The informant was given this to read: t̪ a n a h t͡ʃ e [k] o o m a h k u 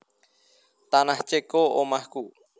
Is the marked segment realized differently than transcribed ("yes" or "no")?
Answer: no